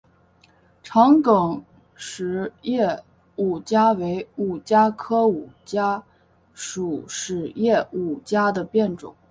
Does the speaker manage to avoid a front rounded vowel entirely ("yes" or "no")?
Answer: yes